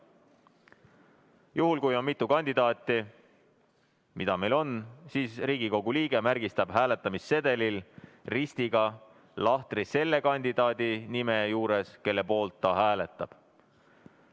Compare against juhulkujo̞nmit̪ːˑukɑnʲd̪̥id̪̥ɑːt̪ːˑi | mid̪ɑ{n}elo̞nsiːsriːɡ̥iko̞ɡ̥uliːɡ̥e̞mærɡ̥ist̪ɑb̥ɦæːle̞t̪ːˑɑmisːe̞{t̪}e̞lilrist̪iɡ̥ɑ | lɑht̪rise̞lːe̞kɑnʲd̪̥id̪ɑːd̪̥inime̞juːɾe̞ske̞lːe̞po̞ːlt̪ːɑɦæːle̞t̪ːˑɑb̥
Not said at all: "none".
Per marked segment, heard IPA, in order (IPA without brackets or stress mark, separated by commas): m, d̪